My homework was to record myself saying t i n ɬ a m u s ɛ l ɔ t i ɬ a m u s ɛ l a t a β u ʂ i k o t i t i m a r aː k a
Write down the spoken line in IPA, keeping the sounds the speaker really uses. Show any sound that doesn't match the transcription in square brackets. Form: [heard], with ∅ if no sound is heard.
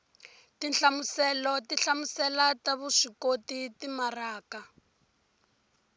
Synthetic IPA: t i n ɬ a m u s ɛ l ɔ t i ɬ a m u s ɛ l a t a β u ʂ i k o t i t i m a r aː k a